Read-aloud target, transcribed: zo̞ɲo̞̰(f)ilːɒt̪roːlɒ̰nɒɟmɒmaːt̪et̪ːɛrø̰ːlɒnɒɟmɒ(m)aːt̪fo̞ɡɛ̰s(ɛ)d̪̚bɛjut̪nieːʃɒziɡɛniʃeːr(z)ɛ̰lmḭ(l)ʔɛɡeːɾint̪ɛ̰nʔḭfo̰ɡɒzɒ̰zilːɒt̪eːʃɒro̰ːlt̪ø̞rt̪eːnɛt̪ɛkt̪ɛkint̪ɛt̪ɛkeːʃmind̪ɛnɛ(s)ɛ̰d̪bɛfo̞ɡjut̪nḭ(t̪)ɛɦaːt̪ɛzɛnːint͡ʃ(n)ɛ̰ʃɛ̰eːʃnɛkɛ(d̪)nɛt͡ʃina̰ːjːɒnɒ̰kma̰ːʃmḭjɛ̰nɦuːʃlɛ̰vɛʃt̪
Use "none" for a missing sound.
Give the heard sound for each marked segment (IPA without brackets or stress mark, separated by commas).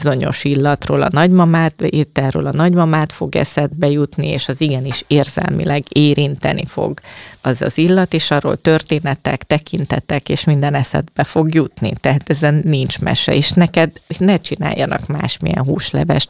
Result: ʃ, m, ɛ, z, l, s, t̪, m, d̪